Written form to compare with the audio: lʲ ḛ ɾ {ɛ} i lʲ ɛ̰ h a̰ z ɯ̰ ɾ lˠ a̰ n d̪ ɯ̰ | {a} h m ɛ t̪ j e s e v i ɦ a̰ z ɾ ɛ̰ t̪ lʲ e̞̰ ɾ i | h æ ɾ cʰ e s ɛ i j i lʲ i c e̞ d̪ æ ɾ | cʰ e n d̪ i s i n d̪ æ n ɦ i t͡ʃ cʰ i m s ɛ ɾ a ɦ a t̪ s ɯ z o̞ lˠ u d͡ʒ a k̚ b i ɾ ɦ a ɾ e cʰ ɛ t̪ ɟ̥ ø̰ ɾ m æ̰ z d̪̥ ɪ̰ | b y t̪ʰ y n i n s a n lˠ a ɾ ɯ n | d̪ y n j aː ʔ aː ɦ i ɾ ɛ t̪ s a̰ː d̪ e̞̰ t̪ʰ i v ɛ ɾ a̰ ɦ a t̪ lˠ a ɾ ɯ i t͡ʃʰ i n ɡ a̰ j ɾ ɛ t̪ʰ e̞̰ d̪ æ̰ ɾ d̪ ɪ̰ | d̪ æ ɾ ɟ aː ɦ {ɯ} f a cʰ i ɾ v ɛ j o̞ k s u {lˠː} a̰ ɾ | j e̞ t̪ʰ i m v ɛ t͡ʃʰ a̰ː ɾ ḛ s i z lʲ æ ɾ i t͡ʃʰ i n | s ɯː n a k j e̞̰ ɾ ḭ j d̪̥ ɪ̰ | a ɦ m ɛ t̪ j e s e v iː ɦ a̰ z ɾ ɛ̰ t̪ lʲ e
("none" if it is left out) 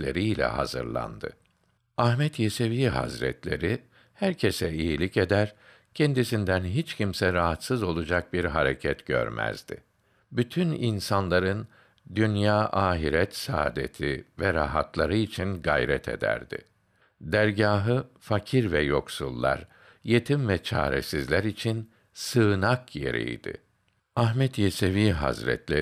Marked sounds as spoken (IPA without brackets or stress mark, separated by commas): i, a, ɯ, lˠː